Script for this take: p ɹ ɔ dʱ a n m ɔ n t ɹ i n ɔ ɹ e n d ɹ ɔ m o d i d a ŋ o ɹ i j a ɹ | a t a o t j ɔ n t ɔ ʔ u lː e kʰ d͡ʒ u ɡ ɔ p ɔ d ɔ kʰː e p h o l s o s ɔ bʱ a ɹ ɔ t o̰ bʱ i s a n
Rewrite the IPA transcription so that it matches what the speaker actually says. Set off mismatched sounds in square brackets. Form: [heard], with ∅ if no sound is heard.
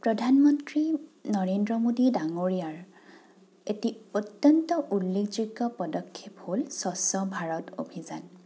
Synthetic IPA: p ɹ ɔ dʱ a n m ɔ n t ɹ i n ɔ ɹ e n d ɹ ɔ m o d i d a ŋ o ɹ i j a ɹ | [e] t [i] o t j ɔ n t ɔ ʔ u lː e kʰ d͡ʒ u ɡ ɔ p ɔ d ɔ kʰː e p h o l s [ɔ] s ɔ bʱ a ɹ ɔ t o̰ bʱ i [z] a n